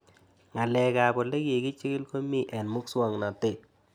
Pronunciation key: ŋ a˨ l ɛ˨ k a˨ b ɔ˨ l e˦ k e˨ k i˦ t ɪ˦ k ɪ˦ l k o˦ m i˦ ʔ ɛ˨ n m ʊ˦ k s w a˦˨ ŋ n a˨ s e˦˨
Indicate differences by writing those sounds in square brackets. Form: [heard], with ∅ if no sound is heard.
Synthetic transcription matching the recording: ŋ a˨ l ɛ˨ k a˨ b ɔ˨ l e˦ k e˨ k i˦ [t͡ʃ] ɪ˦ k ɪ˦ l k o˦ m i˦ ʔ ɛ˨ n m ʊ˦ k s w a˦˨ ŋ n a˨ [t] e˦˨

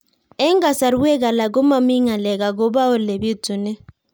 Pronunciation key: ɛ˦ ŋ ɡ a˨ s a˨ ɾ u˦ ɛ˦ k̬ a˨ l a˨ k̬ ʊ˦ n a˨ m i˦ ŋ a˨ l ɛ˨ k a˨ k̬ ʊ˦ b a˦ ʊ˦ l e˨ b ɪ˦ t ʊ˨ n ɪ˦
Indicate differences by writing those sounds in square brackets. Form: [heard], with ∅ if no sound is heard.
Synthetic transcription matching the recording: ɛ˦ ŋ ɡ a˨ s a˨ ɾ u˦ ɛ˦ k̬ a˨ l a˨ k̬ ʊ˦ [m] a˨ m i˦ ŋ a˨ l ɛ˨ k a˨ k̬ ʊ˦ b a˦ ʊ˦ l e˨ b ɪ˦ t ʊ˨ n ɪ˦

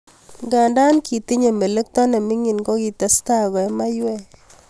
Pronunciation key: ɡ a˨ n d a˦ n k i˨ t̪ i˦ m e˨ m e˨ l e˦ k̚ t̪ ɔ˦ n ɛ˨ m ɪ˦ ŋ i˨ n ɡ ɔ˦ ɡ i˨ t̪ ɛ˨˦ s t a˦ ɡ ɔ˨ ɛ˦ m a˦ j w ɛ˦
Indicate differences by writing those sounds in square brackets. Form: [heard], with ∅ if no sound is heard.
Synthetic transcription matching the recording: ɡ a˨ n d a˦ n k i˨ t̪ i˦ [ɲ] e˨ m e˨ l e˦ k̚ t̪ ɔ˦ n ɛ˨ m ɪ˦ ŋ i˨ n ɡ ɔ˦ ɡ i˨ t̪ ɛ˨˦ s t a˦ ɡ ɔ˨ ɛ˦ m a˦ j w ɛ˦

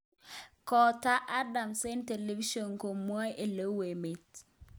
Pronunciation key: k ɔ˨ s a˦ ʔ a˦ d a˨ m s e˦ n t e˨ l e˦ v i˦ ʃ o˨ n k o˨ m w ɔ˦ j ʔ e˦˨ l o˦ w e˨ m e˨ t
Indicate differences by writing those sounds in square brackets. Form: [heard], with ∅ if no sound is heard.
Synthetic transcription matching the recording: k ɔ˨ [t] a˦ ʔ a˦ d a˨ m s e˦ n t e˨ l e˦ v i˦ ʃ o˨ n k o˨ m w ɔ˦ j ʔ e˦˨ l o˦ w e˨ m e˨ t

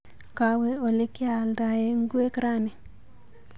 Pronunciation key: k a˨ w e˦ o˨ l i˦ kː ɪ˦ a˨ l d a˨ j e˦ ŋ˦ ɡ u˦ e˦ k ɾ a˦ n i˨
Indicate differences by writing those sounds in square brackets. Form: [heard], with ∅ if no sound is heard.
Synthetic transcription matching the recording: k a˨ w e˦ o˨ l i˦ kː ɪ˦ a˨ l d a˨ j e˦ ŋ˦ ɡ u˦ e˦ k ɾ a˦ n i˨

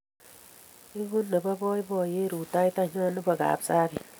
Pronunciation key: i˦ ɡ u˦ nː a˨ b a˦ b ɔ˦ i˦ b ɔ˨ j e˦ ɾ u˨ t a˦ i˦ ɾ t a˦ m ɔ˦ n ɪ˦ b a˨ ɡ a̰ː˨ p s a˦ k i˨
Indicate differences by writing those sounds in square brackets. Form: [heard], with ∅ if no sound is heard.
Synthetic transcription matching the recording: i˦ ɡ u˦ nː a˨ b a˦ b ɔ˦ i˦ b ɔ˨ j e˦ ɾ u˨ t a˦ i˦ [∅] t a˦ [ɲ] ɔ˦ n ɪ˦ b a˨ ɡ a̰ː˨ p s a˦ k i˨

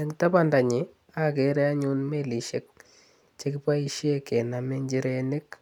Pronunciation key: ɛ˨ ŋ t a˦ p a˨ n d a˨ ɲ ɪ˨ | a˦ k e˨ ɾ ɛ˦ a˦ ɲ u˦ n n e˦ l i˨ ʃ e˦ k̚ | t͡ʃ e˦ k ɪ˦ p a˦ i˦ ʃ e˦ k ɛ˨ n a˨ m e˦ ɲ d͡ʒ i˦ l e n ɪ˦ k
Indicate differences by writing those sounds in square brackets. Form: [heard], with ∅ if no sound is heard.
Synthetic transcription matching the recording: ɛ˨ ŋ t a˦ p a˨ n d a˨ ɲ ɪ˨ | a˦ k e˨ ɾ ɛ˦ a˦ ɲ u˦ n [m] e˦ l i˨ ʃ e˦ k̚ | t͡ʃ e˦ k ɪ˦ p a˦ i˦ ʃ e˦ k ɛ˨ n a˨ m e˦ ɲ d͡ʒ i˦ [ɾ] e n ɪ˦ k

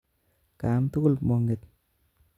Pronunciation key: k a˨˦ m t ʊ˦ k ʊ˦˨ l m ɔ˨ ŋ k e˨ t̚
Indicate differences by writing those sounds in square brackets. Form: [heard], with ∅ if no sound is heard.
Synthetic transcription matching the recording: k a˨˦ m t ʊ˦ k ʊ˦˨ l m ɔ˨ ŋ [ɡ] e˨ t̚

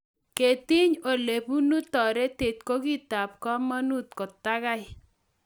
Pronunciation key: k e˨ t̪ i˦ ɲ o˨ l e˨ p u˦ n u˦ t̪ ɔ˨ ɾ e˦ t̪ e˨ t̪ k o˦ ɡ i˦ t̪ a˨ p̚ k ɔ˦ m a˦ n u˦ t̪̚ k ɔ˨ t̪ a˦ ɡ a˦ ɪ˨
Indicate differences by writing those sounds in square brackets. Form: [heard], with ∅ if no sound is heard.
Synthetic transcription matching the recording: k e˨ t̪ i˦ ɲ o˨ l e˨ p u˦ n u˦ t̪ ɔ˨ ɾ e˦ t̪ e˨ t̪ k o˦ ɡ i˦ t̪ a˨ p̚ k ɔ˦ m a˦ n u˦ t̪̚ k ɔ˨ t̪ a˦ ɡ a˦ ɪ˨

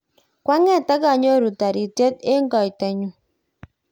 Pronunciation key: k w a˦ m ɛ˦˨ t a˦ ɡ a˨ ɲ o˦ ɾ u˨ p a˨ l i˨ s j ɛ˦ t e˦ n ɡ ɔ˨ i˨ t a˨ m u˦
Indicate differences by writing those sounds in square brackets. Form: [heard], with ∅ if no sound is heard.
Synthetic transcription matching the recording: k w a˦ [ŋ] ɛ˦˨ t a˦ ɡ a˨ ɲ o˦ ɾ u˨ [t] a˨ [ɾ] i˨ [t] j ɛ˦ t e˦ [ŋ] ɡ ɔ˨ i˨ t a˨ [ɲ] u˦

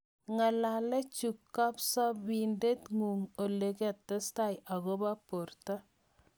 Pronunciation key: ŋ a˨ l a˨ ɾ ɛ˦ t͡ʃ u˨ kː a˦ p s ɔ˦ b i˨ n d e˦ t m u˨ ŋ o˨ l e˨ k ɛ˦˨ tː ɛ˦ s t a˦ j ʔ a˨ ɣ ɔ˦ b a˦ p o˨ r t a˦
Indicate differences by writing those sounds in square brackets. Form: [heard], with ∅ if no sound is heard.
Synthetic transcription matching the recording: ŋ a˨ l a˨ [l] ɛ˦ t͡ʃ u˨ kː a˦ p s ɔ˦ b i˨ n d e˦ t [ŋ] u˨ ŋ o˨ l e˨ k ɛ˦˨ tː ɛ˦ s t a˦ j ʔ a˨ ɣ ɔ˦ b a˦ p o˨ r t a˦

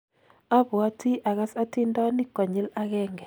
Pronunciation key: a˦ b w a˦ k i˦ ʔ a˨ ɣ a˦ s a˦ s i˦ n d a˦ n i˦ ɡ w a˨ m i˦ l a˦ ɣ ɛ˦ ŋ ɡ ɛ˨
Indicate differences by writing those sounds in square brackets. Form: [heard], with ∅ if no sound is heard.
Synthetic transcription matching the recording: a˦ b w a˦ [t] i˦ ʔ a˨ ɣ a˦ s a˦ [t] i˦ n d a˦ n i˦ [k] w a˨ [ɲ] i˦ l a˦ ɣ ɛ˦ ŋ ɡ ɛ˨

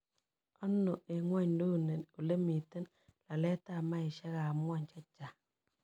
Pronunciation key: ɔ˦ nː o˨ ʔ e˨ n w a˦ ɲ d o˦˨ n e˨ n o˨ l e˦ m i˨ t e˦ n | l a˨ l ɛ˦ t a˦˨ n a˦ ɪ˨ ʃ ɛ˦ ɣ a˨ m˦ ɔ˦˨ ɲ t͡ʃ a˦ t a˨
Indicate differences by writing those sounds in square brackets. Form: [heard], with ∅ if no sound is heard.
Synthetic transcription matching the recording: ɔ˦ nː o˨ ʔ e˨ [ŋ] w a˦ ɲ d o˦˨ n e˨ n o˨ l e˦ m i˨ t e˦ n | l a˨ l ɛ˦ t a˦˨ [m] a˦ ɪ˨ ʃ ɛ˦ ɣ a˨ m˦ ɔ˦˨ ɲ t͡ʃ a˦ [t͡ʃ] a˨

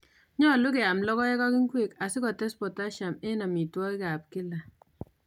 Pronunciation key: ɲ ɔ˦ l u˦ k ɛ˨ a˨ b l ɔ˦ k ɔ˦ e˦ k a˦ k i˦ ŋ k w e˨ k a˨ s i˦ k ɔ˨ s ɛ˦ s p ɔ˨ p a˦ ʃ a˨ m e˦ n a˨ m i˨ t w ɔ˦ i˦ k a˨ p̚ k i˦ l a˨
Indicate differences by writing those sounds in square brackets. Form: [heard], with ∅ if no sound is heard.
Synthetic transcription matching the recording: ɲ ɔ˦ l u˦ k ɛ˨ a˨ [m] l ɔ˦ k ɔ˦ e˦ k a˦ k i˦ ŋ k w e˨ k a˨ s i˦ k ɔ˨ [t] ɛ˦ s p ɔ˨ [t] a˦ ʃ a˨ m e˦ n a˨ m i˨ t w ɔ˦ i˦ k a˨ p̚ k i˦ l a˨

